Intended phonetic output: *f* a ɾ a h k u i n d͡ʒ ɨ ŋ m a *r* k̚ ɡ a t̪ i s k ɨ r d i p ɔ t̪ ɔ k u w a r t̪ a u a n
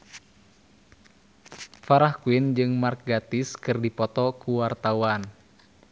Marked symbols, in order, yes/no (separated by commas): yes, yes